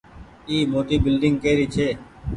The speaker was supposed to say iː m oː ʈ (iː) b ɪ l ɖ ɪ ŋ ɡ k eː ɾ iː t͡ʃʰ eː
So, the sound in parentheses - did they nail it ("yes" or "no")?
yes